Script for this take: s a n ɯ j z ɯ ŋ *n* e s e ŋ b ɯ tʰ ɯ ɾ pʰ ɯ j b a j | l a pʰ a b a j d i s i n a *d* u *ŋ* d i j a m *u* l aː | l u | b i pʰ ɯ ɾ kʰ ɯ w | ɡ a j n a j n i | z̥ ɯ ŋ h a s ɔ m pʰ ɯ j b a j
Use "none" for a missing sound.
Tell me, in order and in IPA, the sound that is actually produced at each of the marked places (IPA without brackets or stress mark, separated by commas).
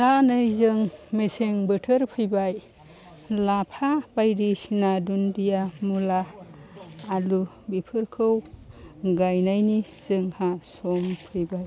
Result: m, d, n, u